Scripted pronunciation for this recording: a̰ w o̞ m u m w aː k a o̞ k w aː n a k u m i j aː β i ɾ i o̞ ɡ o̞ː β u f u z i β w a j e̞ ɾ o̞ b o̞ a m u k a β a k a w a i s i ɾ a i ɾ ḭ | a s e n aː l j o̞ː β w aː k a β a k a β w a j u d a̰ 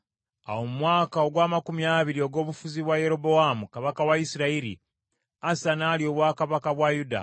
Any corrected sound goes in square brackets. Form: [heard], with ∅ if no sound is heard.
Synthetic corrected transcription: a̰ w o̞ m u m w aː k a o̞ [ɡ] w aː [m] a k u m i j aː β i ɾ i o̞ ɡ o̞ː β u f u z i β w a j e̞ ɾ o̞ b o̞ a m u k a β a k a w a i s i ɾ a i ɾ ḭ | a s [a] n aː l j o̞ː β w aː k a β a k a β w a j u d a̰